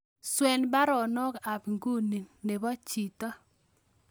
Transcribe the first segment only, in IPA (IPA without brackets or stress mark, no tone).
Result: s